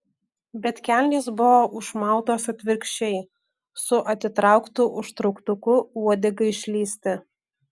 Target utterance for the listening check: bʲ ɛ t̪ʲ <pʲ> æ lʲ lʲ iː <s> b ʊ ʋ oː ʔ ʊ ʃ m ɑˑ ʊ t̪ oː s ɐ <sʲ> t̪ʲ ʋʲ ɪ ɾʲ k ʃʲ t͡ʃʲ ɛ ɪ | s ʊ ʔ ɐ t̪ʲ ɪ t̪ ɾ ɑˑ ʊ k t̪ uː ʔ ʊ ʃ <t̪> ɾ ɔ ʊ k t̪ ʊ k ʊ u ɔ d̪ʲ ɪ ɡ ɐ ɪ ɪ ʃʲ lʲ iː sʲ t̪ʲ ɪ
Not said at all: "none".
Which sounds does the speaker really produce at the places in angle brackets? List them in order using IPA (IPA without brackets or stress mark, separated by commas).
kʲ, s, none, t̪